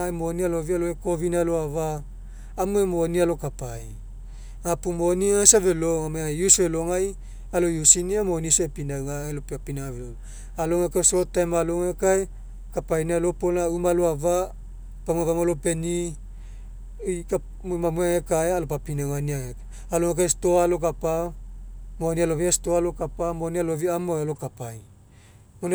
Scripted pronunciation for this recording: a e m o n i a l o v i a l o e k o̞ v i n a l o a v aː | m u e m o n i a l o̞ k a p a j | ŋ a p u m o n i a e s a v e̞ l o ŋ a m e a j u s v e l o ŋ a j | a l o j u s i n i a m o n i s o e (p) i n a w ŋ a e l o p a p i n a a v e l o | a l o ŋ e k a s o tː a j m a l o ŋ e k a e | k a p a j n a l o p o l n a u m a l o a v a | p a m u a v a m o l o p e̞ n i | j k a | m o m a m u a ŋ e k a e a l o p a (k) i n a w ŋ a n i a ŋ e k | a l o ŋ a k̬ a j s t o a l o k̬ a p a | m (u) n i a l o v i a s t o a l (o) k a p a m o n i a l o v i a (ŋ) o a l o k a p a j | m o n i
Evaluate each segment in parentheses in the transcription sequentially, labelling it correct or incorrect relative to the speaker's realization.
correct, incorrect: p, incorrect: o, correct, incorrect: m

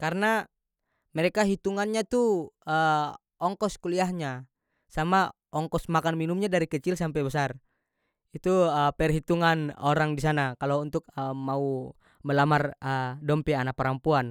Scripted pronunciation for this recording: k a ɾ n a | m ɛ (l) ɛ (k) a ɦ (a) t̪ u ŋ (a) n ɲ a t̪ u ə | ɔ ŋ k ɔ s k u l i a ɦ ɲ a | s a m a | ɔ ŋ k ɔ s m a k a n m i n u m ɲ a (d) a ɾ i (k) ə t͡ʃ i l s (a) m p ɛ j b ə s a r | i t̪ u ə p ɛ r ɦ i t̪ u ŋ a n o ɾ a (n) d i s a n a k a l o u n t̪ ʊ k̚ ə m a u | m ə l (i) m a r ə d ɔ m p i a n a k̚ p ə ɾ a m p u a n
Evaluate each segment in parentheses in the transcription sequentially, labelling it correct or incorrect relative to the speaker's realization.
incorrect: ɾ, correct, incorrect: i, correct, correct, correct, correct, incorrect: ŋ, incorrect: a

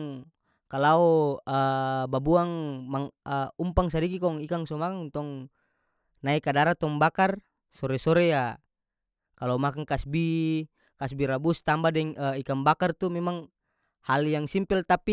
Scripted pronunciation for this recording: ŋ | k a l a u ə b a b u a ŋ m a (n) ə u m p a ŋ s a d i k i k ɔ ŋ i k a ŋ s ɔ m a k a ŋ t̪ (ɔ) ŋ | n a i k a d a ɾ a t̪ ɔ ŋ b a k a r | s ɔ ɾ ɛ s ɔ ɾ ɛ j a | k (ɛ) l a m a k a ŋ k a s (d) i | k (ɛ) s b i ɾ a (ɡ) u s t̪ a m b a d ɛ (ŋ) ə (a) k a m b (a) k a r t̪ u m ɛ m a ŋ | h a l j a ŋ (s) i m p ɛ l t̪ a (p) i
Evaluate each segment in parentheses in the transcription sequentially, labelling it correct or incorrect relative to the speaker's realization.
incorrect: ŋ, correct, incorrect: a, incorrect: b, incorrect: a, incorrect: b, correct, incorrect: i, correct, correct, correct

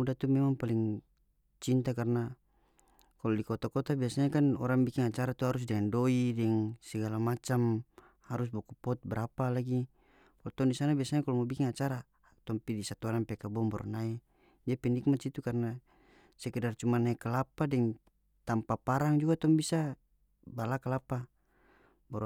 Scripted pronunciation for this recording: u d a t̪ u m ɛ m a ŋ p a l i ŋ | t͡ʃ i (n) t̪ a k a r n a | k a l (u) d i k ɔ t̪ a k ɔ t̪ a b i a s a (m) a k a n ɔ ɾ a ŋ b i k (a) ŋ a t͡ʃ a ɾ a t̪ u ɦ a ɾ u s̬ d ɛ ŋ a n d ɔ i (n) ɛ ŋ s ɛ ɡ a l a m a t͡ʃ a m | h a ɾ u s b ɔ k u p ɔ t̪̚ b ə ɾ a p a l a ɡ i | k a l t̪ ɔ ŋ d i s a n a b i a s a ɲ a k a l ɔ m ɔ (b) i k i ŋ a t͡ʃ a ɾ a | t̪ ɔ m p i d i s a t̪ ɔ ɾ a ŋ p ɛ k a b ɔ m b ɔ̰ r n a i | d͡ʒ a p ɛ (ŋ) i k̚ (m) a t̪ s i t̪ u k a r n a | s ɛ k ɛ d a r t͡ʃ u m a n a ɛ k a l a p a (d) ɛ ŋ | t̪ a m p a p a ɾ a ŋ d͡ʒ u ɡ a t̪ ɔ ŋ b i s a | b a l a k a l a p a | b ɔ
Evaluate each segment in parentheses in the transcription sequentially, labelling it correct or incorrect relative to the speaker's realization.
correct, incorrect: ɔ, incorrect: ɲ, incorrect: i, incorrect: d, correct, incorrect: n, correct, correct

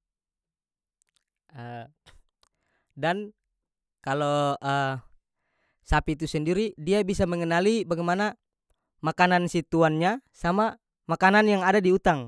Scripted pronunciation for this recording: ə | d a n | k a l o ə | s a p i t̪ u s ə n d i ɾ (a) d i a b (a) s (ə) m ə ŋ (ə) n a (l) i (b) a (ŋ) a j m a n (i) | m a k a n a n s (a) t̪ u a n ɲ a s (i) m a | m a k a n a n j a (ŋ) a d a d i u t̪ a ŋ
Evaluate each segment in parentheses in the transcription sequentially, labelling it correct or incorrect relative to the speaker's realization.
incorrect: i, incorrect: i, incorrect: a, correct, correct, correct, incorrect: ɡ, incorrect: a, incorrect: i, incorrect: a, correct

